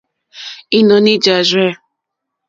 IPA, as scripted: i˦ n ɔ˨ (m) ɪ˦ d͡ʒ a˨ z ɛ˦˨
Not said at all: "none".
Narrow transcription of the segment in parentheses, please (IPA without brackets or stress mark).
n